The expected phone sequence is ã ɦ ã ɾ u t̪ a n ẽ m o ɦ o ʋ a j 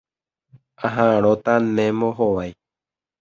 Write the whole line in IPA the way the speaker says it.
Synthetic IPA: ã ɦ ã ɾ o t̪ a n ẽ m o ɦ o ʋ a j